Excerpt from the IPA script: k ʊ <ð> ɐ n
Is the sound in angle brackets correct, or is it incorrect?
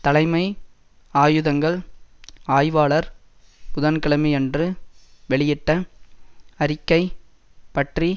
correct